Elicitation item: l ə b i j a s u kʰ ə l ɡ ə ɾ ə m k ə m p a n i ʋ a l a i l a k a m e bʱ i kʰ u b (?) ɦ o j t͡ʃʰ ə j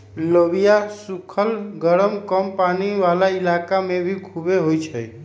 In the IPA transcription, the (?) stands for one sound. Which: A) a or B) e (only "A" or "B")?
B